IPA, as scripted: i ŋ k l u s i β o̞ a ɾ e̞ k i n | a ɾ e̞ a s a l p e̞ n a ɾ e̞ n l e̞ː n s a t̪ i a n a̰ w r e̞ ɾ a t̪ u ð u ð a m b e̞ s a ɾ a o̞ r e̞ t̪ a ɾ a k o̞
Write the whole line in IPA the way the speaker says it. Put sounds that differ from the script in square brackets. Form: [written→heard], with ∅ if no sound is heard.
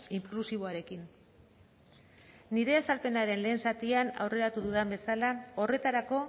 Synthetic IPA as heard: i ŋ k l u s i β o̞ a ɾ e̞ k i n | [a→i] ɾ e̞ a s a l p e̞ n a ɾ e̞ n l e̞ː n s a t̪ i a n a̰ w r e̞ ɾ a t̪ u ð u ð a m b e̞ s a [ɾ→l] a o̞ r e̞ t̪ a ɾ a k o̞